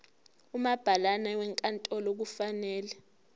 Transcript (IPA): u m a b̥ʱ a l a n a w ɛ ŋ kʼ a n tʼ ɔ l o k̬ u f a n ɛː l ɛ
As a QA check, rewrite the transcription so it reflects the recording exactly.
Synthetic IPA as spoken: u m a b̥ʱ a l a n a w ɛ ŋ kʼ a n tʼ ɔ l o k̬ u f a n ɛː l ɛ